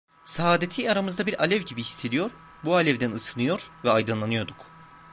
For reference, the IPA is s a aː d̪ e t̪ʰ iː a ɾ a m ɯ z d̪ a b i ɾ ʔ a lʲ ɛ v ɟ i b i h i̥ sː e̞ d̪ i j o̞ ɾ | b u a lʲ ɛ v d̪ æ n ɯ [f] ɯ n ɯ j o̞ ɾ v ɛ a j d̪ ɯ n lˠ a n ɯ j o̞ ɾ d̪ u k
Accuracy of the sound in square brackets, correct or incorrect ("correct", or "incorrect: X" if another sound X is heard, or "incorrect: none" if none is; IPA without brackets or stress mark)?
incorrect: s